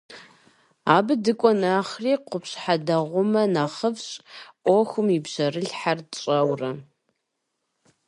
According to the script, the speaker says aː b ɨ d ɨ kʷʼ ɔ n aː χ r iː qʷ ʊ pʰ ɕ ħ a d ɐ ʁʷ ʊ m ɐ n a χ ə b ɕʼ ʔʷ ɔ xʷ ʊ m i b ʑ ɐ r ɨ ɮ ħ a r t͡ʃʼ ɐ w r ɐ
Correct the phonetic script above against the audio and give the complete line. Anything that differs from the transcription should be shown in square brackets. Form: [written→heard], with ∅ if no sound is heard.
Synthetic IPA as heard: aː b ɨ d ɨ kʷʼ ɔ n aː χ r iː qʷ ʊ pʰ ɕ ħ a d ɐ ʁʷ ʊ m ɐ n a χ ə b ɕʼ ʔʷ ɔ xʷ ʊ m i b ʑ ɐ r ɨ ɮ ħ a r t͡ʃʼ ɐ w r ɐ